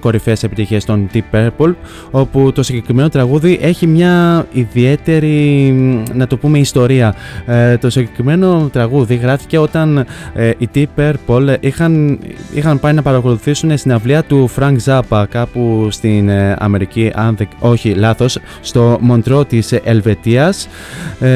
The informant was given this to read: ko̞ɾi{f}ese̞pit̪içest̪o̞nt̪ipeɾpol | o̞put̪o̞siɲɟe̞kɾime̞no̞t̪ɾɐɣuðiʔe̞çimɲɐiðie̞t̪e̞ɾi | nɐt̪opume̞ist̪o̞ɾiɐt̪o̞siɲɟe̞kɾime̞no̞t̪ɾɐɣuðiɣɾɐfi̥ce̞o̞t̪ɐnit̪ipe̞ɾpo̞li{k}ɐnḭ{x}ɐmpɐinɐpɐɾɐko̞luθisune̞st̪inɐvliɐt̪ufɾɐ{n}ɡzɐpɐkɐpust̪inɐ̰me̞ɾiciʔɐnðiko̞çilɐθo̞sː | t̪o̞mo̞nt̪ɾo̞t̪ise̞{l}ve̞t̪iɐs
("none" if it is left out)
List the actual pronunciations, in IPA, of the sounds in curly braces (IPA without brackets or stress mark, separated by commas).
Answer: f, x, x, ŋ, l